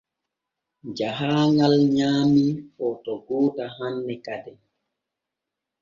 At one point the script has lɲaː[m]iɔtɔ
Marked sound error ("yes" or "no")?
no